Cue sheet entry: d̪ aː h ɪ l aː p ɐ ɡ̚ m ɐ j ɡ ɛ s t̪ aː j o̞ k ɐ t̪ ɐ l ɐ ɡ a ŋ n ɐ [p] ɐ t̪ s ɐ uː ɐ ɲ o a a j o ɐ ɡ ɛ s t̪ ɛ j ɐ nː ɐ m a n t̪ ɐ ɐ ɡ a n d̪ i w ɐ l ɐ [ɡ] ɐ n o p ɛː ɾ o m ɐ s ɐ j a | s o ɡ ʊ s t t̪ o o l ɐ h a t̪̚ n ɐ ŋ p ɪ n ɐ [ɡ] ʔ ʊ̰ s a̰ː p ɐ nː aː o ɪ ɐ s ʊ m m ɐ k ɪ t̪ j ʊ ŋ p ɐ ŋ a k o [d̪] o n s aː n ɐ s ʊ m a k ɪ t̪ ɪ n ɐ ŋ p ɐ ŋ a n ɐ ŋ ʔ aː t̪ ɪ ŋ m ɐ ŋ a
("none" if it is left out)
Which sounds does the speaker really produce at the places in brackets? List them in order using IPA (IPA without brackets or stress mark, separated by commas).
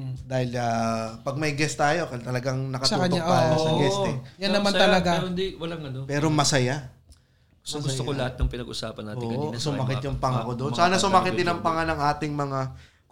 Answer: k, ŋ, ɡ, d̪